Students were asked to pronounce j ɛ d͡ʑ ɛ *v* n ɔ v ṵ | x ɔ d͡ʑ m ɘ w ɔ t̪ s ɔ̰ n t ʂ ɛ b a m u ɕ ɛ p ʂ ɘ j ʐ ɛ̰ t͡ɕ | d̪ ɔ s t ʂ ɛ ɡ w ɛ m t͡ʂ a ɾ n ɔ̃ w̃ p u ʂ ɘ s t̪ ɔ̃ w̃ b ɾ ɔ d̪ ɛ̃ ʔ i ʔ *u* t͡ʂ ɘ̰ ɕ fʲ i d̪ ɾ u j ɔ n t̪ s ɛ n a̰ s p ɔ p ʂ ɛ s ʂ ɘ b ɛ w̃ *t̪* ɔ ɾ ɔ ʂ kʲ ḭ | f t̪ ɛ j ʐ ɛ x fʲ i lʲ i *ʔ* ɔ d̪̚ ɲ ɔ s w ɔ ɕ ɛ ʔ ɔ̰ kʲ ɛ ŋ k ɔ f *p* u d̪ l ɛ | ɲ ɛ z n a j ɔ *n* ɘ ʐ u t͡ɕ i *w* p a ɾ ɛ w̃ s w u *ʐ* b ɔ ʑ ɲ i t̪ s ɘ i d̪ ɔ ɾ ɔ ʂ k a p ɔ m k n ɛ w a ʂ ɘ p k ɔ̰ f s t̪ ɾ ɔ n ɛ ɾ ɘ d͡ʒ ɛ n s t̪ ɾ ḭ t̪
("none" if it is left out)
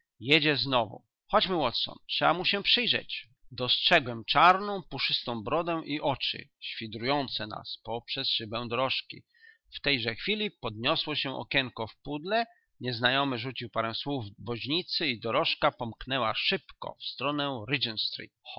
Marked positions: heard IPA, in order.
z, ɔ, d̪, p, p, m, w, v

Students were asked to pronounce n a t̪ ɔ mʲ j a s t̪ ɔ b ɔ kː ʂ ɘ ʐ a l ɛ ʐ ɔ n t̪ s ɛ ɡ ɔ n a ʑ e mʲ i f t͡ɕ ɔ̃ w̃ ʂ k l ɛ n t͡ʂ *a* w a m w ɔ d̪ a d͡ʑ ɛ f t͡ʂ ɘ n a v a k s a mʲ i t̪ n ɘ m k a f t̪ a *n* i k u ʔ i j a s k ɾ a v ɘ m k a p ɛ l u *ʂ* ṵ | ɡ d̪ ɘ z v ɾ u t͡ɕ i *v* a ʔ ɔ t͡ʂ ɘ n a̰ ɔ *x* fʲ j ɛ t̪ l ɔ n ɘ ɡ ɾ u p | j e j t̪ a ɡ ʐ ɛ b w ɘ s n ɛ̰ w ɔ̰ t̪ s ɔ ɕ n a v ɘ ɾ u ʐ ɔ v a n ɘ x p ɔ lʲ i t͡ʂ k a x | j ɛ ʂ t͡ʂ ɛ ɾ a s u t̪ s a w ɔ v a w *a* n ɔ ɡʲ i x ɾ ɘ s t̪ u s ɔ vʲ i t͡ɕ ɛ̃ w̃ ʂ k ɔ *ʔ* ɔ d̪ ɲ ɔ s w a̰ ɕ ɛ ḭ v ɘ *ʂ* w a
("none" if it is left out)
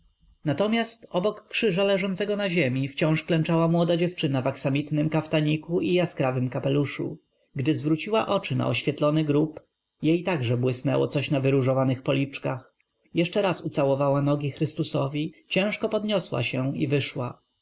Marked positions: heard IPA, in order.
a, ɲ, ʂ, w, ɕ, a, p, ʂ

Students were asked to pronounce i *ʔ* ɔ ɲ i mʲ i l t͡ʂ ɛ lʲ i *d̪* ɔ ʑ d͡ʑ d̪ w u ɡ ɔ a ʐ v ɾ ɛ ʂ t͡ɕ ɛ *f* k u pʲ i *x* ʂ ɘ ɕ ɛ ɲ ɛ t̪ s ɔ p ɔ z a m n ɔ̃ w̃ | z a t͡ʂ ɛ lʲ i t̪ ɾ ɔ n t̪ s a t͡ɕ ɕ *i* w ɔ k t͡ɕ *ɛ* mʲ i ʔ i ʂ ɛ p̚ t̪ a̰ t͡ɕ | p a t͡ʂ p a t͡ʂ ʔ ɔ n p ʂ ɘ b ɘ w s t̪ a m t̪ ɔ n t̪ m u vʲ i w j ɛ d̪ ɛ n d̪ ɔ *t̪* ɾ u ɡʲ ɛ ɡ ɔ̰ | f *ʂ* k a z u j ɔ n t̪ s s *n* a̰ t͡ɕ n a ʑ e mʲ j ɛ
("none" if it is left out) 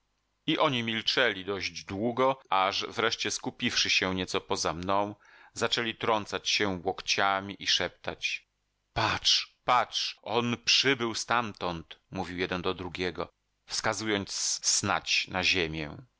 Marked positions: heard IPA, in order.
ʔ, d̪, s, f, ɛ, a, d̪, s, n

